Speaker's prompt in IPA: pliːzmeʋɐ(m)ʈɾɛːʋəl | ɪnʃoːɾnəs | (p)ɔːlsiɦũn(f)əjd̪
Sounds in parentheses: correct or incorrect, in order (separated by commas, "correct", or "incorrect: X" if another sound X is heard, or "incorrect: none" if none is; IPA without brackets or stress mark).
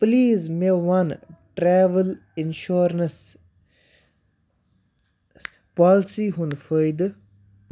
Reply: incorrect: n, correct, correct